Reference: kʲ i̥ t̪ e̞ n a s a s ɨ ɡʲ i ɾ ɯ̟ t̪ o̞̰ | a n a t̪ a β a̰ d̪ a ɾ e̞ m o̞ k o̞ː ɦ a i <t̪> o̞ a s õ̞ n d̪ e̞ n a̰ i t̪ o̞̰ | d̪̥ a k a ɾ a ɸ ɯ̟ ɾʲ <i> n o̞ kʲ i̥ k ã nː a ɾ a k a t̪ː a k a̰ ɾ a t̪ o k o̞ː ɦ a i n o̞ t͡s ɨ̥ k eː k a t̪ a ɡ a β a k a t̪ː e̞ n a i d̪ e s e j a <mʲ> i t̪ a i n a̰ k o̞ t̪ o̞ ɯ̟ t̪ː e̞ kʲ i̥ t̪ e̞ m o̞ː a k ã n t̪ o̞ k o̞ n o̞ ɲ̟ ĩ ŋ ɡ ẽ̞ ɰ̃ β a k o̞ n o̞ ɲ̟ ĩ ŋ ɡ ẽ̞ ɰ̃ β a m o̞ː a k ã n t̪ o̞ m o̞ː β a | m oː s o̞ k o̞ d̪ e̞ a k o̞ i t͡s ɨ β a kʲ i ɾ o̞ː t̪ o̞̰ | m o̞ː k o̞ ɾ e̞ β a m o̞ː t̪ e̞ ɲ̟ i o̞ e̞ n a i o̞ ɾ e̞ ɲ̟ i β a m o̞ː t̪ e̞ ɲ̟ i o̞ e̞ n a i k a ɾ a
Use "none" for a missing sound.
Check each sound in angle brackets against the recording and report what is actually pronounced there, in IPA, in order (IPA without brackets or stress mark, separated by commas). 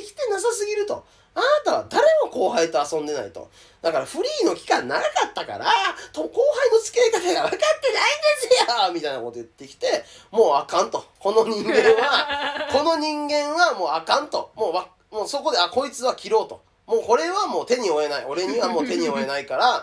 t̪, iː, mʲ